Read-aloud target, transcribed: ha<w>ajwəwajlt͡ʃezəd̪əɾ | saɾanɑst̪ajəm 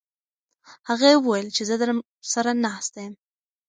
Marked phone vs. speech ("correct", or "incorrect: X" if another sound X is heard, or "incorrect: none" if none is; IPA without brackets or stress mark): incorrect: ɣ